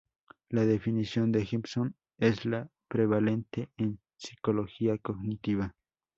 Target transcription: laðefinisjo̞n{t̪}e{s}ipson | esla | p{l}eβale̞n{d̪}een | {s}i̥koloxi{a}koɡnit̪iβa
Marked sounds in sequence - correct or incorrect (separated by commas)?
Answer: incorrect, incorrect, incorrect, incorrect, correct, correct